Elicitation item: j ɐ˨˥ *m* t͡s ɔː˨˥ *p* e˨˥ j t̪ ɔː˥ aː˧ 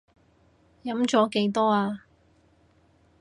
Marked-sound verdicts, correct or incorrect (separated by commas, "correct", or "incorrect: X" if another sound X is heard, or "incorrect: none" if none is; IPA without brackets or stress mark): correct, incorrect: k